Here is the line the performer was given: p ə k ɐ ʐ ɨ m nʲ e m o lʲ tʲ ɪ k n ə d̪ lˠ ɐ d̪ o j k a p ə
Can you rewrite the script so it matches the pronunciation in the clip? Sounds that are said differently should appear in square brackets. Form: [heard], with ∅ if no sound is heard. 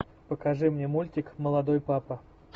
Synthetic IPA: p ə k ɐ ʐ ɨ m nʲ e m [u] lʲ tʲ ɪ k [m] ə [∅] lˠ ɐ d̪ o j [p] a p ə